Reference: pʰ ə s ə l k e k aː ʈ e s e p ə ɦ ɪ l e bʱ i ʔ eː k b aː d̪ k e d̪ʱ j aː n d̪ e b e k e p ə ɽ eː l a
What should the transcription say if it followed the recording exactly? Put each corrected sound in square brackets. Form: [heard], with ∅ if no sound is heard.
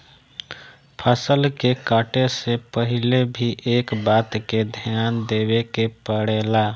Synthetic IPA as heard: pʰ ə s ə l k e k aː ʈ e s e p ə ɦ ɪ l e bʱ i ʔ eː k b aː [t̪] k e d̪ʱ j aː n d̪ e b e k e p ə ɽ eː l a